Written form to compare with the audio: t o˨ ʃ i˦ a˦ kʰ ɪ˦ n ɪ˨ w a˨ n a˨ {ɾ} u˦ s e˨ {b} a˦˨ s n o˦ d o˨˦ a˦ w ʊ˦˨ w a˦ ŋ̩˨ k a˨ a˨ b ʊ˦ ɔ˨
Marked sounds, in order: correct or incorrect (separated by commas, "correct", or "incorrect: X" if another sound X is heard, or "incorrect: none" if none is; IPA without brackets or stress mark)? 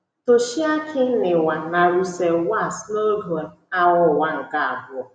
correct, incorrect: w